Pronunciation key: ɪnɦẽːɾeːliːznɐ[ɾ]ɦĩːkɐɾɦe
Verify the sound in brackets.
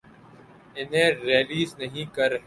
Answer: incorrect: none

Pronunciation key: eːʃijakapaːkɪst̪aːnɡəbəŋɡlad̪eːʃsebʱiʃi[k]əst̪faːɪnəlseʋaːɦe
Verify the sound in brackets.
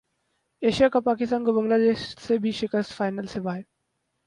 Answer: correct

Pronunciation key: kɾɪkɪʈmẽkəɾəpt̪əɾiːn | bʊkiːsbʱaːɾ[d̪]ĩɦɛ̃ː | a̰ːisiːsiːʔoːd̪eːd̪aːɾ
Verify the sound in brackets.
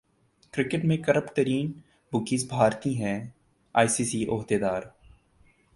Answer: incorrect: t̪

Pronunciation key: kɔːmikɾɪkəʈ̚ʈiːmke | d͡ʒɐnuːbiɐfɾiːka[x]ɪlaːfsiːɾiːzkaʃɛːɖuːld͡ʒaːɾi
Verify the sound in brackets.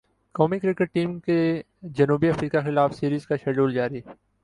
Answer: correct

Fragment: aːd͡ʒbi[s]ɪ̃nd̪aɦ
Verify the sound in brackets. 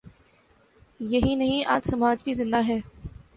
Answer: incorrect: z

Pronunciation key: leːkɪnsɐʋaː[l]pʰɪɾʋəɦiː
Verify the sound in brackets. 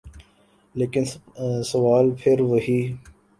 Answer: correct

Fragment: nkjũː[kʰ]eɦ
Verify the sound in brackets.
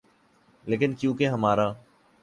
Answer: incorrect: k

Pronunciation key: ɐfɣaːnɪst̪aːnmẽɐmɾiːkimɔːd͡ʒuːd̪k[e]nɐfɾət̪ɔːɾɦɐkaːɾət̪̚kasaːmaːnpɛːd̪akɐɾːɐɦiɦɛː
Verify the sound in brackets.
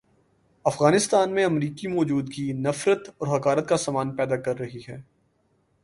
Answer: incorrect: i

